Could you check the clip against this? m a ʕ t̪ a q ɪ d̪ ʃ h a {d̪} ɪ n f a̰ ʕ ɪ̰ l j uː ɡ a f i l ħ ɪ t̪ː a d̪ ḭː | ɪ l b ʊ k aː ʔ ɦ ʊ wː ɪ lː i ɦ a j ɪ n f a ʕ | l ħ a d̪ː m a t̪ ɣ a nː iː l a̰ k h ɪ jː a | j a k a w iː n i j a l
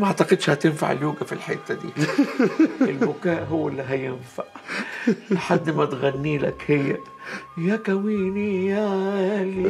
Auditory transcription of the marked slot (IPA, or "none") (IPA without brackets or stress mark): t̪